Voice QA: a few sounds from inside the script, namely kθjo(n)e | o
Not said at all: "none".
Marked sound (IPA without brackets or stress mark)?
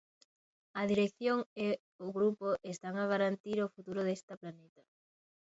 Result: ŋ